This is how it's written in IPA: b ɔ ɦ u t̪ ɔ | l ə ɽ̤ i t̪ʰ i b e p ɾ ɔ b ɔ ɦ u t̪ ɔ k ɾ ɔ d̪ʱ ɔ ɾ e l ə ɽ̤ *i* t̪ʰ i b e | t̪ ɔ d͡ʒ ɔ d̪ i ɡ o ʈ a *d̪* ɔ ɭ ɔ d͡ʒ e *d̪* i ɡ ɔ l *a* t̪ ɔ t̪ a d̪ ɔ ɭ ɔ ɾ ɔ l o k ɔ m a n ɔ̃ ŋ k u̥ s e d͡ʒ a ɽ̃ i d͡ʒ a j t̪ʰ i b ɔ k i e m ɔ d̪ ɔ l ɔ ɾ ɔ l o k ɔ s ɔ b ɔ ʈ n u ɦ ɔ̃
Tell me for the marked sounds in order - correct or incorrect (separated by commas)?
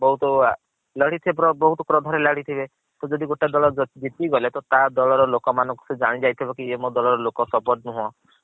correct, correct, incorrect, incorrect